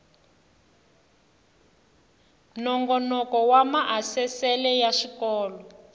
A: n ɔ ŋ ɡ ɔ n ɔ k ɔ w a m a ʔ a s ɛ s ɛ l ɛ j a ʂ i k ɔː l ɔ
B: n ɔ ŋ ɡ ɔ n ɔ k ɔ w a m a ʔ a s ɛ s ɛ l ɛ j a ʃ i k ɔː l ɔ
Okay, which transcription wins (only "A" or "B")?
B